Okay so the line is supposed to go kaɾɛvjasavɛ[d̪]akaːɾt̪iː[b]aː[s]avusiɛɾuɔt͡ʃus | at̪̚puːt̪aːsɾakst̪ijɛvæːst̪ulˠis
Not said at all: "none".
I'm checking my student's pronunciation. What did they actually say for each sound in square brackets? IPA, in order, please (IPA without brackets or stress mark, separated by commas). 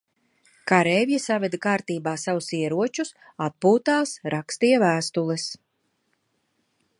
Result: d̪, b, s